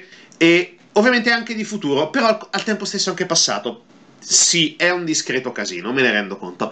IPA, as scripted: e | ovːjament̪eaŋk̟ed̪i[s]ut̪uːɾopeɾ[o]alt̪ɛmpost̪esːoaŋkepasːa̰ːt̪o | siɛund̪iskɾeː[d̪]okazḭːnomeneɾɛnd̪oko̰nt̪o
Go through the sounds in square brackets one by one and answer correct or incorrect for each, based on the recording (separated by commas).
incorrect, incorrect, incorrect